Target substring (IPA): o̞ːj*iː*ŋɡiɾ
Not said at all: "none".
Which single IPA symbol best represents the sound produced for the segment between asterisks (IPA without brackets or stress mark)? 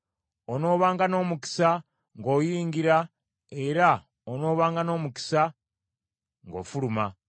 iː